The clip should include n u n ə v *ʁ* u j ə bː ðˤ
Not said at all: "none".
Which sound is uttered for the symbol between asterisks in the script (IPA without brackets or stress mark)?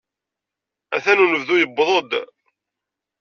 ð